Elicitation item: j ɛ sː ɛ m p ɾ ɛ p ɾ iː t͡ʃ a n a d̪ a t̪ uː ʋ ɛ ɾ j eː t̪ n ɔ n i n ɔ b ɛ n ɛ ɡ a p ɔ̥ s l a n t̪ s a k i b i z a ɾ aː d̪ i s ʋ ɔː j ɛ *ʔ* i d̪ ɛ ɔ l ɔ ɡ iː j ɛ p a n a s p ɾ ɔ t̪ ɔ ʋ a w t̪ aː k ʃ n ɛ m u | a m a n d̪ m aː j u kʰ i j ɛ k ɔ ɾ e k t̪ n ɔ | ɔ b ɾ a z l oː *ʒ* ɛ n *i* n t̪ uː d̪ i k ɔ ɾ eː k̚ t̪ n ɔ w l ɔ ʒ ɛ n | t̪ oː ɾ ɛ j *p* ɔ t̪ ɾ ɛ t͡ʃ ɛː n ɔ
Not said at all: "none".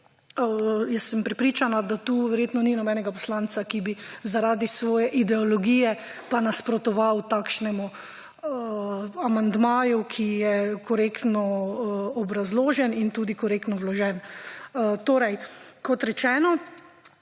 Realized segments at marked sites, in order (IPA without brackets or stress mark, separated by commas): ʔ, ʒ, i, k